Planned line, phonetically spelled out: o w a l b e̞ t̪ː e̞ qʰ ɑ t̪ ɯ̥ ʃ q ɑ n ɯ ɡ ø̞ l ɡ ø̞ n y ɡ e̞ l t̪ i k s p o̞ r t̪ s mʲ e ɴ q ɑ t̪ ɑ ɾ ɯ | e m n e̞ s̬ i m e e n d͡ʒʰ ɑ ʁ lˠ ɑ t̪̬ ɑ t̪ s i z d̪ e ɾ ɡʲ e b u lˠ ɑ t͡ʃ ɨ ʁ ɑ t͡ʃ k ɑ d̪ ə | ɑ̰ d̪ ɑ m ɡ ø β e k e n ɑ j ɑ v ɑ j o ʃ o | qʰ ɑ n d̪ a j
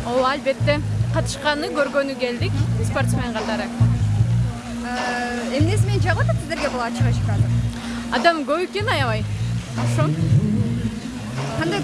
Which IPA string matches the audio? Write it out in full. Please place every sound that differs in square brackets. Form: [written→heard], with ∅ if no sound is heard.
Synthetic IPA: o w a l b e̞ t̪ː e̞ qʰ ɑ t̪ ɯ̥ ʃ q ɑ n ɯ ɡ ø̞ [l→ɾ] ɡ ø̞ n y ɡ e̞ l [t̪→d̪] i k s p o̞ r t̪ s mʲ e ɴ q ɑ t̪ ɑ ɾ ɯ | e m n e̞ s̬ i m e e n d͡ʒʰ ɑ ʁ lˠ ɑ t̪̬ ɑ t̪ s i z d̪ e ɾ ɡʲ e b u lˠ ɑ t͡ʃ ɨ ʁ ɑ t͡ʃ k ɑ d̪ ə | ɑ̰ d̪ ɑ m ɡ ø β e k e n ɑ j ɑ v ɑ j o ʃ o | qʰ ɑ n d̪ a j